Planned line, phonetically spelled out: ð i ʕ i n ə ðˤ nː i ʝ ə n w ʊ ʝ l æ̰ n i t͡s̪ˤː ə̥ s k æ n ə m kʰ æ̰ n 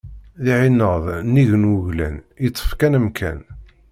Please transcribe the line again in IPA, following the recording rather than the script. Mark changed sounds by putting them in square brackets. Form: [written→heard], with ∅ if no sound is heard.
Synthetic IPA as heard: ð i ʕ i n ə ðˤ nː i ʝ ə n w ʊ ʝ l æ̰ n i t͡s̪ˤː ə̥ [s→f] k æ n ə m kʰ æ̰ n